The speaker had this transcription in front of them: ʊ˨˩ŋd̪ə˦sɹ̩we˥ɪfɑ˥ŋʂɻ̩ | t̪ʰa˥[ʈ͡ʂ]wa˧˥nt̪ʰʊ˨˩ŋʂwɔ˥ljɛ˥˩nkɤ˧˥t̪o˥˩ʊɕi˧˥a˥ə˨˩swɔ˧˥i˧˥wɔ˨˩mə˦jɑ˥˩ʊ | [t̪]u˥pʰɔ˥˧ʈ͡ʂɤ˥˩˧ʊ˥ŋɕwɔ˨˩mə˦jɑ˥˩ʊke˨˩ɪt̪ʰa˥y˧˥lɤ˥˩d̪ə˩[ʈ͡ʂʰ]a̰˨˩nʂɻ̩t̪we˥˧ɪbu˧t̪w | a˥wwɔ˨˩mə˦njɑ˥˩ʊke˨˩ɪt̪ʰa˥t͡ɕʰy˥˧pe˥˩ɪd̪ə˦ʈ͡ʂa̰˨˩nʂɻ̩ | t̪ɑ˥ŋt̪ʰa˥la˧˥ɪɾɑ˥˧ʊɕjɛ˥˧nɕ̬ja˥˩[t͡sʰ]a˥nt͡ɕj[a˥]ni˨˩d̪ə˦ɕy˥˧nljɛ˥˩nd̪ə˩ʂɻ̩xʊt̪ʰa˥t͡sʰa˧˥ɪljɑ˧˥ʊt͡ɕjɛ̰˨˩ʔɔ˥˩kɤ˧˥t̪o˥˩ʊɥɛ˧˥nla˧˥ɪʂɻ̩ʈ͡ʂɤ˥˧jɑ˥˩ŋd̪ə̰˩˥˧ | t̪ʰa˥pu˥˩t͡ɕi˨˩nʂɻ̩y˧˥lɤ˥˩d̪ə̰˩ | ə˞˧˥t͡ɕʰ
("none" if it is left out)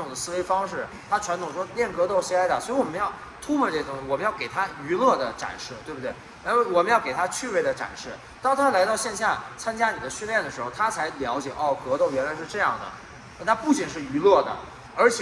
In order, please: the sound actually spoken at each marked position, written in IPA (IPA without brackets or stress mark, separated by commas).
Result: ʈ͡ʂʰ, t̪ʰ, ʈ͡ʂ, t͡sʰ, a˥